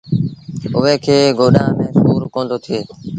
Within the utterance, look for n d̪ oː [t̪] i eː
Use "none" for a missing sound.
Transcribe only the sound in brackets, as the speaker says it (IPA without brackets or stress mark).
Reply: t̪ʰ